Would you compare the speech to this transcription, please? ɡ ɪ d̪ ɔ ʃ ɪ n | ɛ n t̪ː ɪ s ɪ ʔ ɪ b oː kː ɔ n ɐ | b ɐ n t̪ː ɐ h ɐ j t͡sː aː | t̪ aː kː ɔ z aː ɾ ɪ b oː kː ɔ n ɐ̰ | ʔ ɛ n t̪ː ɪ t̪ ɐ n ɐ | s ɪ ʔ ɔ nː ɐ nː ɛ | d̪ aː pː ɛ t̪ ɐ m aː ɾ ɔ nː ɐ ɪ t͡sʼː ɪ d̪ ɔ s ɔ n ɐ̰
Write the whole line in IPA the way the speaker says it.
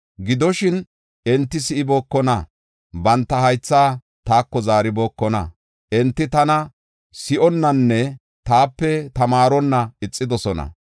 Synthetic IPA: ɡ ɪ d̪ ɔ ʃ ɪ n | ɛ n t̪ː ɪ s ɪ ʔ ɪ b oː kː ɔ n ɐ | b ɐ n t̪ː ɐ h ɐ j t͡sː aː | t̪ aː kː ɔ z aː ɾ ɪ b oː kː ɔ n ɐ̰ | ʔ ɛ n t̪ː ɪ t̪ ɐ n ɐ | s ɪ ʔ ɔ nː ɐ nː ɛ | t̪ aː pː ɛ t̪ ɐ m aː ɾ ɔ nː ɐ ɪ t͡sʼː ɪ d̪ ɔ s ɔ n ɐ̰

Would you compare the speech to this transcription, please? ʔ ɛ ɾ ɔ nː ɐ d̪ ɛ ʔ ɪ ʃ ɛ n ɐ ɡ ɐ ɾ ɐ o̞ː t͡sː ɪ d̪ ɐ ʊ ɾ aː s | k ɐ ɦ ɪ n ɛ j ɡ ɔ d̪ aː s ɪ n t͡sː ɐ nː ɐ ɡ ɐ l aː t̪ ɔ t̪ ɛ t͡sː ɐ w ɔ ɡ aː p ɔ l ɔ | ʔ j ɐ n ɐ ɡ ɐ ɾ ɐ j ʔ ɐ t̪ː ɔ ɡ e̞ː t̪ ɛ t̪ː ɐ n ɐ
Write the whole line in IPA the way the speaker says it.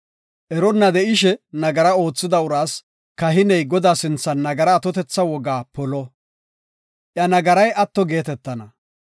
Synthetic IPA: ʔ ɛ ɾ ɔ nː ɐ d̪ ɛ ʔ ɪ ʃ ɛ n ɐ ɡ ɐ ɾ ɐ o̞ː t͡sː ɪ d̪ ɐ ʊ ɾ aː s | k ɐ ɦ ɪ n ɛ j ɡ ɔ d̪ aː s ɪ n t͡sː ɐ nː ɐ ɡ ɐ ɾ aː t̪ ɔ t̪ ɛ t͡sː ɐ w ɔ ɡ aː p ɔ l ɔ | ʔ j ɐ n ɐ ɡ ɐ ɾ ɐ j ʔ ɐ t̪ː ɔ ɡ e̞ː t̪ ɛ t̪ː ɐ n ɐ

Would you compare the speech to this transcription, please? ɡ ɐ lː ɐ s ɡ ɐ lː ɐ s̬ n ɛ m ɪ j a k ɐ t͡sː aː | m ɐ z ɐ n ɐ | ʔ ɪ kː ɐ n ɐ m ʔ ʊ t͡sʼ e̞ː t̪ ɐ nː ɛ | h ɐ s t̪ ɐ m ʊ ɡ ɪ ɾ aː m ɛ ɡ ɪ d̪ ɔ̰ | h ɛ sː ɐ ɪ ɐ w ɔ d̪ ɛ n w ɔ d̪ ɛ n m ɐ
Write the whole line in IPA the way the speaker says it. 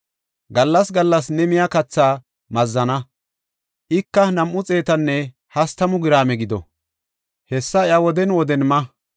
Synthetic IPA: ɡ ɐ lː ɐ s ɡ ɐ lː ɐ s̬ n ɛ m ɪ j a k ɐ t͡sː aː | m ɐ zː ɐ n ɐ | ʔ ɪ kː ɐ n ɐ m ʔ ʊ t͡sʼ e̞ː t̪ ɐ nː ɛ | h ɐ s t̪ ɐ m ʊ ɡ ɪ ɾ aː m ɛ ɡ ɪ d̪ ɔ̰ | h ɛ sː ɐ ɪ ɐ w ɔ d̪ ɛ n w ɔ d̪ ɛ n m ɐ

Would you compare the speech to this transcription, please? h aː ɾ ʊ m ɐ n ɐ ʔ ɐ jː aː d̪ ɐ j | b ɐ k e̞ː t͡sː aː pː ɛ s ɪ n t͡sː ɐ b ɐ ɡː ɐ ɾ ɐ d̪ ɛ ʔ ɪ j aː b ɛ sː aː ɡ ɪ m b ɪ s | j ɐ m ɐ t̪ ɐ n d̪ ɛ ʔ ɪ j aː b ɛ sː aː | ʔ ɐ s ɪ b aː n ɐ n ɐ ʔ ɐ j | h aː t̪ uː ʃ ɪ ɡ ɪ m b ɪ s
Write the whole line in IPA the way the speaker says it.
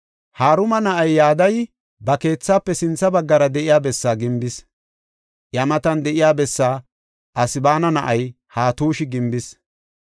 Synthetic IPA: h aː ɾ ʊ m ɐ n ɐ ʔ ɐ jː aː d̪ ɐ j | b ɐ k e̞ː t͡sː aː pː ɛ s ɪ n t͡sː ɐ b ɐ ɡː ɐ ɾ ɐ d̪ ɛ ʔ ɪ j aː b ɛ sː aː ɡ ɪ m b ɪ s | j ɐ m ɐ t̪ ɐ n d̪ ɛ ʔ ɪ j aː b ɛ sː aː | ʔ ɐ s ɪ b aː n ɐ n ɐ ʔ ɐ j | h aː t̪ uː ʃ ɪ ɡ ɪ m b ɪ s

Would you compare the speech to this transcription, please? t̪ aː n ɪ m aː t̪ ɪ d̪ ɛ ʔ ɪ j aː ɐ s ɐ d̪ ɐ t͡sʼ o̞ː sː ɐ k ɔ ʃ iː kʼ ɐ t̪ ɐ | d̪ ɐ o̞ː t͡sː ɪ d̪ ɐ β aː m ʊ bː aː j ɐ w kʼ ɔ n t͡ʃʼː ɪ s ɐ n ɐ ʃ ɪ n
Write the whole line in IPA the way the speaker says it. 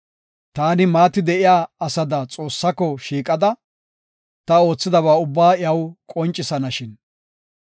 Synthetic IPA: t̪ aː n ɪ m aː t̪ ɪ d̪ ɛ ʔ ɪ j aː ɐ s ɐ d̪ ɐ t͡sʼ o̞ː sː ɐ k ɔ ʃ iː kʼ ɐ d̪ ɐ | t̪ ɐ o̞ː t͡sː ɪ d̪ ɐ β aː ʊ bː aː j ɐ w kʼ ɔ n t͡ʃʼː ɪ s ɐ n ɐ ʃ ɪ n

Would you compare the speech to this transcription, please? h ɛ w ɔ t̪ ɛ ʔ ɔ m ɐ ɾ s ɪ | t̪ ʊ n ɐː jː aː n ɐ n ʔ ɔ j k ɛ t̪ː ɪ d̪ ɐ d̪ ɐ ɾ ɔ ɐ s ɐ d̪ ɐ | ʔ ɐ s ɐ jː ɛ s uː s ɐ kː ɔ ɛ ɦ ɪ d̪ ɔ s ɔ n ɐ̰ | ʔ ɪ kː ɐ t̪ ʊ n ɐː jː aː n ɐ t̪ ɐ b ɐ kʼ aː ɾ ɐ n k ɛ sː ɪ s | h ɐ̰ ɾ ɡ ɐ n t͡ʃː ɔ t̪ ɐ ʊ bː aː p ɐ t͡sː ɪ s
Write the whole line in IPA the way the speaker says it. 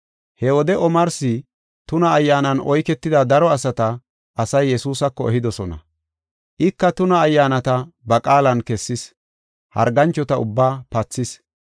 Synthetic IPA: h ɛ w ɔ d̪ ɛ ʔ ɔ m ɐ ɾ s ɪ | t̪ ʊ n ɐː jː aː n ɐ n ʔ ɔ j k ɛ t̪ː ɪ d̪ ɐ d̪ ɐ ɾ ɔ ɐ s ɐ t̪ ɐ | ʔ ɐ s ɐ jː ɛ s uː s ɐ kː ɔ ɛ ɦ ɪ d̪ ɔ s ɔ n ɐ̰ | ʔ ɪ kː ɐ t̪ ʊ n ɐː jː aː n ɐ t̪ ɐ b ɐ kʼ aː l ɐ n k ɛ sː ɪ s | h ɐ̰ ɾ ɡ ɐ n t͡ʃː ɔ t̪ ɐ ʊ bː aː p ɐ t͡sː ɪ s

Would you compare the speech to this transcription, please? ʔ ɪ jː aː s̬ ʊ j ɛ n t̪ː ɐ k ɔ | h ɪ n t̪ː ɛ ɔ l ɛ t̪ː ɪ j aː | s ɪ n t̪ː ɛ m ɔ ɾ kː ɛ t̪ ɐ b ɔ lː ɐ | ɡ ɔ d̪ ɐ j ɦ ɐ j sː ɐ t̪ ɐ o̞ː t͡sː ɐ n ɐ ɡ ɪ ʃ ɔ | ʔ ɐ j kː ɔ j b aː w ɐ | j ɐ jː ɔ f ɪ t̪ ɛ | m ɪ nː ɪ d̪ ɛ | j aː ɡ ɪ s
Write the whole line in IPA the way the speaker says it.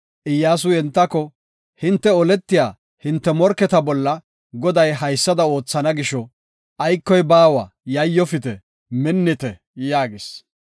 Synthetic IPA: ʔ ɪ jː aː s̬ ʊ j ɛ n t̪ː ɐ k ɔ | h ɪ n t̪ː ɛ ɔ l ɛ t̪ː ɪ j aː | h ɪ n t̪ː ɛ m ɔ ɾ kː ɛ t̪ ɐ b ɔ lː ɐ | ɡ ɔ d̪ ɐ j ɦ ɐ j sː ɐ d̪ ɐ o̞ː t͡sː ɐ n ɐ ɡ ɪ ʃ ɔ | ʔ ɐ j kː ɔ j b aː w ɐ | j ɐ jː ɔ f ɪ t̪ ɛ | m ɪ nː ɪ t̪ ɛ | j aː ɡ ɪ s

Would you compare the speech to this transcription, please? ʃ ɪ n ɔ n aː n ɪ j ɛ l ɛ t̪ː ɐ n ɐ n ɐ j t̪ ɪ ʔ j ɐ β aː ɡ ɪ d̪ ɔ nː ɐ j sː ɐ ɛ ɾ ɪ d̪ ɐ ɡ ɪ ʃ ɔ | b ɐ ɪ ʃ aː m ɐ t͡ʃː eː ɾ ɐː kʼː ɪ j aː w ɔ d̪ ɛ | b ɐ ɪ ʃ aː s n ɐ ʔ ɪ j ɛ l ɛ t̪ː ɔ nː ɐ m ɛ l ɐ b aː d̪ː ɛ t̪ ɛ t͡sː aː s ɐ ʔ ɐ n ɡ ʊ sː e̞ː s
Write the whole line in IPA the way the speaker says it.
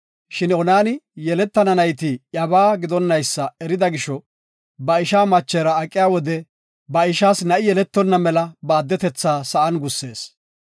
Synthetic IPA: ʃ ɪ n ɔ n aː n ɪ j ɛ l ɛ t̪ː ɐ n ɐ n ɐ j t̪ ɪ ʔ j ɐ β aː ɡ ɪ d̪ ɔ nː ɐ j sː ɐ ɛ ɾ ɪ d̪ ɐ ɡ ɪ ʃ ɔ | b ɐ ɪ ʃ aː m ɐ t͡ʃː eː ɾ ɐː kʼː ɪ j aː w ɔ d̪ ɛ | b ɐ ɪ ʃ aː s n ɐ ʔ ɪ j ɛ l ɛ t̪ː ɔ nː ɐ m ɛ l ɐ b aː d̪ː ɛ t̪ ɛ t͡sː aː s ɐ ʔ ɐ n ɡ ʊ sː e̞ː s

